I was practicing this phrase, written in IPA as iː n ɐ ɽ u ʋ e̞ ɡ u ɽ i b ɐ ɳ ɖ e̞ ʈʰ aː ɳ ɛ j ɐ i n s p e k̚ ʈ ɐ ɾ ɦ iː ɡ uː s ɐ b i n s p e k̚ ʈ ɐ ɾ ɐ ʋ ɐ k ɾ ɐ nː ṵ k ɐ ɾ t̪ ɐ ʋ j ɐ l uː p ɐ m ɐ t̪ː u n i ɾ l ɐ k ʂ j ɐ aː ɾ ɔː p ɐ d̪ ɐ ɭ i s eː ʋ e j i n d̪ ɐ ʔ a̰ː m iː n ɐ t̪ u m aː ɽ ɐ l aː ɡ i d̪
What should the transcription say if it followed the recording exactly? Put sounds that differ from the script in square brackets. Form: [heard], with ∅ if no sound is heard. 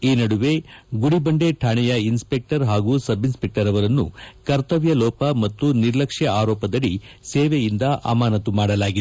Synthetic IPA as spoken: iː n ɐ ɽ u ʋ e̞ ɡ u ɽ i b ɐ ɳ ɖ e̞ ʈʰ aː ɳ ɛ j ɐ i n s p e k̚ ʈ ɐ ɾ ɦ [aː] ɡ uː s ɐ b i n s p e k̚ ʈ ɐ ɾ ɐ ʋ ɐ [∅] ɾ ɐ nː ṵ k ɐ ɾ t̪ ɐ ʋ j ɐ l [ɔː] p ɐ m ɐ t̪ː u n i ɾ l ɐ k ʂ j ɐ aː ɾ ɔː p ɐ d̪ ɐ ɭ i s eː ʋ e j i n d̪ ɐ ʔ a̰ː m [aː] n ɐ t̪ u m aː ɽ ɐ l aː ɡ i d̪